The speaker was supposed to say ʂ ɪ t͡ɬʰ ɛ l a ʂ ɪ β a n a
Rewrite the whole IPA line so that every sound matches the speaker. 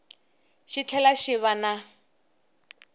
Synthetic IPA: ʃ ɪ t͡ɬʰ ɛ l a ʃ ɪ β a n a